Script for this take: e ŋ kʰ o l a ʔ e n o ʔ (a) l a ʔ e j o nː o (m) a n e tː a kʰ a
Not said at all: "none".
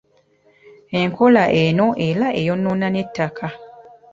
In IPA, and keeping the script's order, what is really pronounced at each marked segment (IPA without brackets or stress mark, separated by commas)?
e, n